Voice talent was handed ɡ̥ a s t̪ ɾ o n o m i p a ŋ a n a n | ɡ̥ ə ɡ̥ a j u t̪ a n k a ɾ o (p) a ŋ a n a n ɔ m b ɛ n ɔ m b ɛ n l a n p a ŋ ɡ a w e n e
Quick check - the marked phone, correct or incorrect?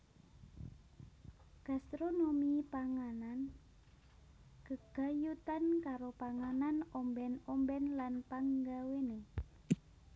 correct